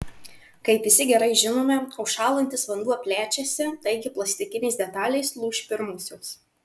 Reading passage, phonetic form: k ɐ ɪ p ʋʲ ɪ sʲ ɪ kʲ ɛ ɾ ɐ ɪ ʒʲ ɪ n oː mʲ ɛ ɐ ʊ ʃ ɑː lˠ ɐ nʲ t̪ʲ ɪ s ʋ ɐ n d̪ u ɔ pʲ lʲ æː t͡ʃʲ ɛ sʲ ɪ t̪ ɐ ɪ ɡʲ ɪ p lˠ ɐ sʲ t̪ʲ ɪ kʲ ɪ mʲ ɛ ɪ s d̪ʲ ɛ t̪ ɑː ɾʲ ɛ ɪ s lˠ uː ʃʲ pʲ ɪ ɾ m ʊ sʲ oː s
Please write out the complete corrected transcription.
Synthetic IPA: k ɐ ɪ p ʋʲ ɪ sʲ ɪ ɡʲ ɛ ɾ ɐ ɪ ʒʲ ɪ n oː mʲ ɛ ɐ ʊ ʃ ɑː lˠ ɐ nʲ t̪ʲ ɪ s ʋ ɐ n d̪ u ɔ pʲ lʲ æː t͡ʃʲ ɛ sʲ ɪ t̪ ɐ ɪ ɡʲ ɪ p lˠ ɐ sʲ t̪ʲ ɪ kʲ ɪ nʲ ɛ ɪ s d̪ʲ ɛ t̪ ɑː lʲ ɛ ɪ s lˠ uː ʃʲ pʲ ɪ ɾ m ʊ sʲ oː s